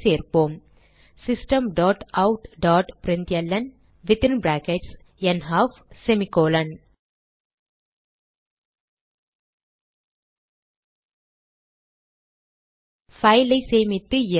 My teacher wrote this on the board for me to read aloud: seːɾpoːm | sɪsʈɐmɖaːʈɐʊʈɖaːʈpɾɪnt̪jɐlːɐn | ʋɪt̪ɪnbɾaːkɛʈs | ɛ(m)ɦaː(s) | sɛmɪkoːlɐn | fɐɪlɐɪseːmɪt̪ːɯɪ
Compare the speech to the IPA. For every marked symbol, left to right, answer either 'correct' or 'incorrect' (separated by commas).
incorrect, incorrect